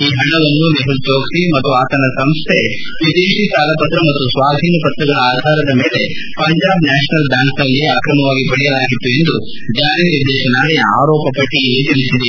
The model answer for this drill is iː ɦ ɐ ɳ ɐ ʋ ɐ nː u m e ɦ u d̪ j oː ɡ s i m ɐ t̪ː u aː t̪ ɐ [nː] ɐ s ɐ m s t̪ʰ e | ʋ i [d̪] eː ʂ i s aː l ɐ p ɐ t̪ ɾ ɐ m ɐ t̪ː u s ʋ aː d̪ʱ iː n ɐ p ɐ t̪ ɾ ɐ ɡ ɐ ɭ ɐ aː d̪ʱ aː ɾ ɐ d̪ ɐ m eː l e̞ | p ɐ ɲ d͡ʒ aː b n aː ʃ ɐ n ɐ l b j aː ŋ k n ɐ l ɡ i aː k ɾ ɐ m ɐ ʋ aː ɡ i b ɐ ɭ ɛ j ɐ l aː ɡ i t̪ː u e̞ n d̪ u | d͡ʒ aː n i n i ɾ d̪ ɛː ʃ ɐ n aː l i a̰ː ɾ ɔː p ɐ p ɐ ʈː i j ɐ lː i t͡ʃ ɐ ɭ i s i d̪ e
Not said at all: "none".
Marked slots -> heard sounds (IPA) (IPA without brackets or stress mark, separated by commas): n, d̪